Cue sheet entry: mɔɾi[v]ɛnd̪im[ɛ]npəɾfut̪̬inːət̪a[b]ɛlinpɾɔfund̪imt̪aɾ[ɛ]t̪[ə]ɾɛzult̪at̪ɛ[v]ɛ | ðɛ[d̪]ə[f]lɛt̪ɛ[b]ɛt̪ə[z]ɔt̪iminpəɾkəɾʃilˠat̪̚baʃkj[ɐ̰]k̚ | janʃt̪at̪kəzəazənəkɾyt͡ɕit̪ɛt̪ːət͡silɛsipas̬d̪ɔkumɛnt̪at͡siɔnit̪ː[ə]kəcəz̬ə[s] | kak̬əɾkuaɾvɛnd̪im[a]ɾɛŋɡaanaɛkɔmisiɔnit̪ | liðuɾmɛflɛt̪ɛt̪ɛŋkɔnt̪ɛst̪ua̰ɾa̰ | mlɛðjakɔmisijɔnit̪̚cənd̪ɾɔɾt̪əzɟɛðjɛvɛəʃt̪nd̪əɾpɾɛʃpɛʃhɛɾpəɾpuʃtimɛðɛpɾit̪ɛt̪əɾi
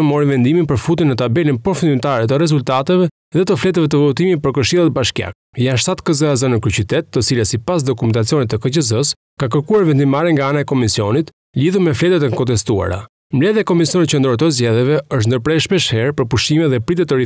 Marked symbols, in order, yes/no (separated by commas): yes, no, yes, yes, yes, yes, no, yes, no, no, no, yes, yes, yes